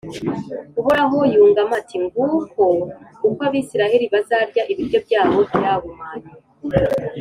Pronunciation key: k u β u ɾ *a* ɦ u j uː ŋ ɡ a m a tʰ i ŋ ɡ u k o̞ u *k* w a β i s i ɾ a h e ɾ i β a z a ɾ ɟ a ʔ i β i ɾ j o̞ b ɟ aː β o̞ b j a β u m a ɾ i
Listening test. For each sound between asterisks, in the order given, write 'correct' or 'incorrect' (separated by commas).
correct, correct